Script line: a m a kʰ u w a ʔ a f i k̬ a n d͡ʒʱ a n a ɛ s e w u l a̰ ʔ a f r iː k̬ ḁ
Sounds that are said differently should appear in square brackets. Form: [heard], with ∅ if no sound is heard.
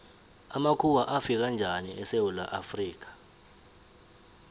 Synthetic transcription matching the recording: a m a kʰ u w a ʔ a f i k̬ a n d͡ʒʱ a n [i] ɛ s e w u l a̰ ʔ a f r iː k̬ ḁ